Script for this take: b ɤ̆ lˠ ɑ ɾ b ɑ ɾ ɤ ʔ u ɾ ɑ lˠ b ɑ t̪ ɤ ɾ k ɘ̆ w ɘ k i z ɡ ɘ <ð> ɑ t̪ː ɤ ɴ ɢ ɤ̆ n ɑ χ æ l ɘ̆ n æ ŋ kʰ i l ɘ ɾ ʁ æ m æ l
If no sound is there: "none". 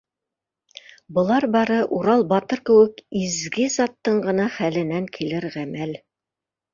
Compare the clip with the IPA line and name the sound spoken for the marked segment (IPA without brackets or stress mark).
z